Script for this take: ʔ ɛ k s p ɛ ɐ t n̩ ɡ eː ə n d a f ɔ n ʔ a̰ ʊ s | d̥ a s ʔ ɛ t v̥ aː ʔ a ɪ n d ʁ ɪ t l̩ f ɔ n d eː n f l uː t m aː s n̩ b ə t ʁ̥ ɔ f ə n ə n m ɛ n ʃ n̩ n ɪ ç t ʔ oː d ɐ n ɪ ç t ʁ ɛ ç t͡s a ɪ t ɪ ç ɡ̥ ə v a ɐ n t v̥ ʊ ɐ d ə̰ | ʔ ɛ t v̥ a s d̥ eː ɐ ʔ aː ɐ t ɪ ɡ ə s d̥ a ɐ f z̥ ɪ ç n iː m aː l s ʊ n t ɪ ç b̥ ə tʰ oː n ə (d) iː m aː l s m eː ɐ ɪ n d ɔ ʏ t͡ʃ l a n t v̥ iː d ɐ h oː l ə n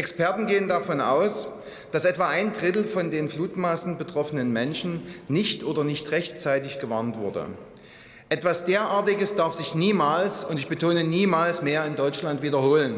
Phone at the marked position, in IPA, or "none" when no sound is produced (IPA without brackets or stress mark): n